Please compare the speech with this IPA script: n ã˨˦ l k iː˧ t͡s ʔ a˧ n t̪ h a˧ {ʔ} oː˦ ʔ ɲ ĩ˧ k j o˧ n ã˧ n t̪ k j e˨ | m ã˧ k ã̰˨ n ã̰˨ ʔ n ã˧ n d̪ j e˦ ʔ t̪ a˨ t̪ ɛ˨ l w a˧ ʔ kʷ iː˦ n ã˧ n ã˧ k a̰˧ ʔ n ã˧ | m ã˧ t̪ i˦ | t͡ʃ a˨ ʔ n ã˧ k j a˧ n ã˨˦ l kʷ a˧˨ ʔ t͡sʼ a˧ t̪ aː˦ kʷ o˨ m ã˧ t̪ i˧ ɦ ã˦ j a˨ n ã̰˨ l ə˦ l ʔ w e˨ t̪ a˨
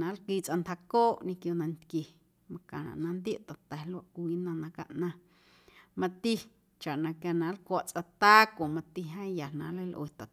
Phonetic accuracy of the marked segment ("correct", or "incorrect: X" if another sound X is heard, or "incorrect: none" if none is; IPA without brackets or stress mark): incorrect: k